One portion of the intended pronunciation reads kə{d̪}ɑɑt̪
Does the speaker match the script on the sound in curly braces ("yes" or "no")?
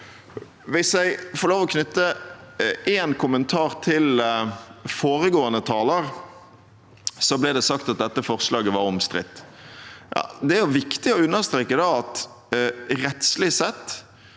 yes